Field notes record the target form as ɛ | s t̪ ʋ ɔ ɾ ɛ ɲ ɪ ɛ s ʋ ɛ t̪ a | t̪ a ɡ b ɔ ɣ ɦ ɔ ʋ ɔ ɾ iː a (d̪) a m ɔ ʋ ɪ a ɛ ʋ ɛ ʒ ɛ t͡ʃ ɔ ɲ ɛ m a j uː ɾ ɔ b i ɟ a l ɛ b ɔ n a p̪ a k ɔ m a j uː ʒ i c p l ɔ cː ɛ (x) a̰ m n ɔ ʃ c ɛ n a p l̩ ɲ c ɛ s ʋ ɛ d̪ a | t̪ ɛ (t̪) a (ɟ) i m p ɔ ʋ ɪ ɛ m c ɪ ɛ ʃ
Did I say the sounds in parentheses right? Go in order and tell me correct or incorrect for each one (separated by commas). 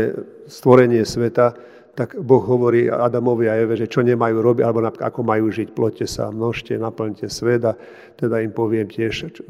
correct, incorrect, incorrect, incorrect